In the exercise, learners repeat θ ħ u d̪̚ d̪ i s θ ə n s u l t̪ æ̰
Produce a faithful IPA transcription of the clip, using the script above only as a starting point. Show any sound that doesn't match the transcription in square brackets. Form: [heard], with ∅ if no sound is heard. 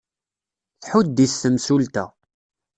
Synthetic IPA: θ ħ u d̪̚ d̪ i s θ ə [m] s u l t̪ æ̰